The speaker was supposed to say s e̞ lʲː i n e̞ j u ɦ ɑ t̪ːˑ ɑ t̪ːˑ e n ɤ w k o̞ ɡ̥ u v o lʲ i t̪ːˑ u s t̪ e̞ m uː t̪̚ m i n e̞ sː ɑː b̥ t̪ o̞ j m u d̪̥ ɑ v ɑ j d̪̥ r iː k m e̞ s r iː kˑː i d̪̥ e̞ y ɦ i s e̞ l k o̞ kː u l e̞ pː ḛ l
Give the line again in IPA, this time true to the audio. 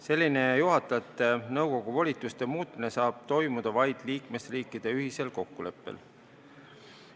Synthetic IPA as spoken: s e̞ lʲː i n e̞ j u ɦ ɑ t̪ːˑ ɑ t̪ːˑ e n ɤ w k o̞ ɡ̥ u v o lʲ i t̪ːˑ u s t̪ e̞ m uː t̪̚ m i n e̞ s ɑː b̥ t̪ o̞ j m u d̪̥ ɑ v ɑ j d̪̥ l iː k m e̞ s r iː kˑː i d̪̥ e̞ y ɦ i s e̞ l k o̞ kː u l e̞ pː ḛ l